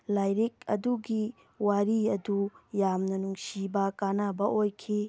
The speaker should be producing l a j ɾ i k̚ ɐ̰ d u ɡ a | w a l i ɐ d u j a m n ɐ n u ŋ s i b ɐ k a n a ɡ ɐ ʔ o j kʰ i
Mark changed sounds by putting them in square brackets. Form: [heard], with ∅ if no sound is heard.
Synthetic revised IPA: l a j ɾ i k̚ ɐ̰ d u ɡ [i] | w a [ɾ] i ɐ d u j a m n ɐ n u ŋ s i b ɐ k a n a [b] ɐ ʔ o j kʰ i